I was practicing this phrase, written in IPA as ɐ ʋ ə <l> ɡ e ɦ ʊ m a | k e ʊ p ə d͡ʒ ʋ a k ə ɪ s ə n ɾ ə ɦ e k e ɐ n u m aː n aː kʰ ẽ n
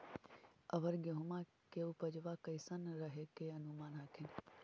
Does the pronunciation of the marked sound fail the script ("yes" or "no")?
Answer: yes